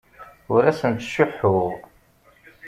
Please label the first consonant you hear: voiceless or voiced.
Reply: voiced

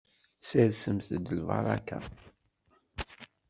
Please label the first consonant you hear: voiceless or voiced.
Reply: voiceless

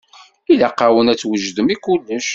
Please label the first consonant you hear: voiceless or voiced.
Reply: voiced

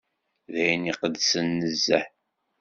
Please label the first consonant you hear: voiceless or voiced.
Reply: voiced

